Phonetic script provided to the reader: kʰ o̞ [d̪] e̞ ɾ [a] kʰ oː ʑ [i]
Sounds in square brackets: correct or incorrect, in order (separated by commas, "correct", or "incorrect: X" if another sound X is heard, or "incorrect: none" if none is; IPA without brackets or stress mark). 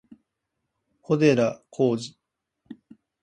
correct, correct, correct